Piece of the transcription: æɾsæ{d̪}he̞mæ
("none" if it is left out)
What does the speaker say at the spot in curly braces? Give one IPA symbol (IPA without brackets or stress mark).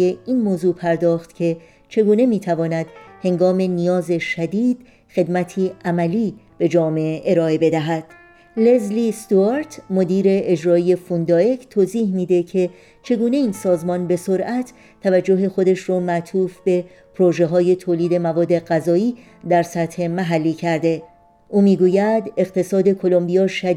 t̪